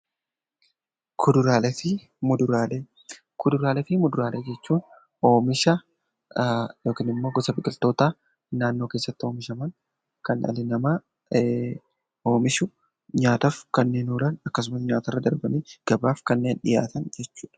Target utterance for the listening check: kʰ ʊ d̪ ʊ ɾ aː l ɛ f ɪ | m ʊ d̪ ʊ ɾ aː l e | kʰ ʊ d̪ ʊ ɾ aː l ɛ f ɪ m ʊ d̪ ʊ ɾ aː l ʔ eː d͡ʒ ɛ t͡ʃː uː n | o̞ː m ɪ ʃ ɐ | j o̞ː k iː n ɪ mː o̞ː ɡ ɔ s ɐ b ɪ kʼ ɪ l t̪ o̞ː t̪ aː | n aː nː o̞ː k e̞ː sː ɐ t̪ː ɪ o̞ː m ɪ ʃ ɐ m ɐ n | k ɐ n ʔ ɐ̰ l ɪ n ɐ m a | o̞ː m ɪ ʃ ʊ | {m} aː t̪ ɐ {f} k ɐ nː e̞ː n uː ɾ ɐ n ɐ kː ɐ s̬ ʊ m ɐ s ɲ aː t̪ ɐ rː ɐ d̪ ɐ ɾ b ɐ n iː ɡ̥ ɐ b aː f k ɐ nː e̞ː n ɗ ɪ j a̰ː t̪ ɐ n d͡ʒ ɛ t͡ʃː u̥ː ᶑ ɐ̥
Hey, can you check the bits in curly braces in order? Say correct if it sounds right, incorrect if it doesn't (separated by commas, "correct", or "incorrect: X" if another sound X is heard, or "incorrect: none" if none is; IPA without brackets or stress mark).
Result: incorrect: ɲ, correct